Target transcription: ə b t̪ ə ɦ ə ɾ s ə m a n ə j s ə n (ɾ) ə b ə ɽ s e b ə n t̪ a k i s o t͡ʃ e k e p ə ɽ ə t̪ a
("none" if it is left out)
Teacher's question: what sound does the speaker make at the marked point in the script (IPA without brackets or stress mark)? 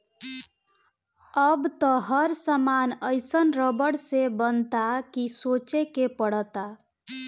ɾ